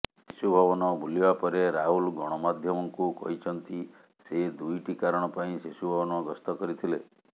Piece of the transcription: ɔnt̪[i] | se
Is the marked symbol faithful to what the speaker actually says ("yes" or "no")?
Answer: yes